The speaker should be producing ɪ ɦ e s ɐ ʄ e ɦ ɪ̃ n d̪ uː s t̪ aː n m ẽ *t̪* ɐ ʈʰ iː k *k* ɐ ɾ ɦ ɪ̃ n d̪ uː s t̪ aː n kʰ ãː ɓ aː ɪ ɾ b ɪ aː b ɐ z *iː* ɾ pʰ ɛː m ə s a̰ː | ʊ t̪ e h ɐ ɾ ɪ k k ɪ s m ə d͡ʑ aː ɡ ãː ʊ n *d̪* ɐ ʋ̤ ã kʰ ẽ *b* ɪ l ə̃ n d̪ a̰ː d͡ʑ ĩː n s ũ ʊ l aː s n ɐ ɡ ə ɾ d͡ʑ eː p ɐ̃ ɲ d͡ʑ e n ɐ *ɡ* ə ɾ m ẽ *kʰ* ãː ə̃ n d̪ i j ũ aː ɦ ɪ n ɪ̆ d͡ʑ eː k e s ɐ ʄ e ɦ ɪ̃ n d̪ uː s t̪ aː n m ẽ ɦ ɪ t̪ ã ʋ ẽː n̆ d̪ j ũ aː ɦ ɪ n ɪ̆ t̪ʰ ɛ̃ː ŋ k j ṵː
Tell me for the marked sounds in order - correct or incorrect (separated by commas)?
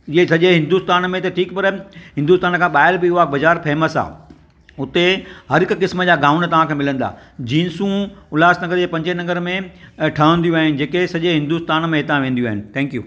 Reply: correct, incorrect, incorrect, incorrect, incorrect, correct, incorrect